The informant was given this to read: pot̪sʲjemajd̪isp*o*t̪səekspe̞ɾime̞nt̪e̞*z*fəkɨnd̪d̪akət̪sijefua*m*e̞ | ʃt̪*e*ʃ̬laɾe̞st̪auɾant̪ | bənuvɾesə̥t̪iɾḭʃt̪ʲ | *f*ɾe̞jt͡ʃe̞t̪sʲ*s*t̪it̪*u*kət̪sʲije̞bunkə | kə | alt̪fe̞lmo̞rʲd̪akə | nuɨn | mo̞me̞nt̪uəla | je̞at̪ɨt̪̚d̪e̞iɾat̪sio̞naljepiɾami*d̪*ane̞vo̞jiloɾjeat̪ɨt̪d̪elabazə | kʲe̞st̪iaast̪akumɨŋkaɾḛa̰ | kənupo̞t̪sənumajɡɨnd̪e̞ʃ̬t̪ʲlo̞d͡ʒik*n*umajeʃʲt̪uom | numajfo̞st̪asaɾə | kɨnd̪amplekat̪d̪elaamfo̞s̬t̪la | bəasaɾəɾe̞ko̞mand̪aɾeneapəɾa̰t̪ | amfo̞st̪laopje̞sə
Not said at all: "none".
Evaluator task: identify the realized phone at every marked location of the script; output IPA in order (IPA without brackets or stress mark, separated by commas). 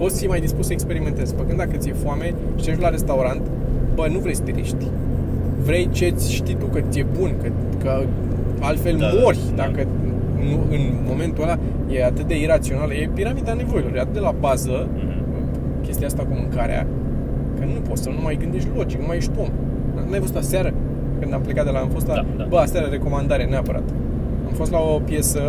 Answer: u, z, m, e, v, ʃ, u, d̪, n